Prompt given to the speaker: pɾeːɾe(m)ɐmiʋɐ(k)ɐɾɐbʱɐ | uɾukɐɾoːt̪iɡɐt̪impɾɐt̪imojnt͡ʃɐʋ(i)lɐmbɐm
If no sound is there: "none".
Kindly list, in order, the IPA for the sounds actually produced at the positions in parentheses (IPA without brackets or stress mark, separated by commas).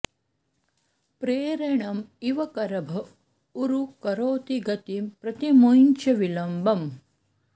ɳ, k, i